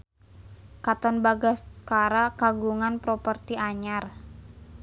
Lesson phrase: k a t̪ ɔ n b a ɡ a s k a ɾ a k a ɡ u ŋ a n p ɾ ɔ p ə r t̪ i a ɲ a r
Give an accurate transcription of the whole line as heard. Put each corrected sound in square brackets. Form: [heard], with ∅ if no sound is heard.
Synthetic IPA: k a t̪ ɔ n b a ɡ a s k a ɾ a k a ɡ u ŋ a n p ɾ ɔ p ə r t̪ i a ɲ a r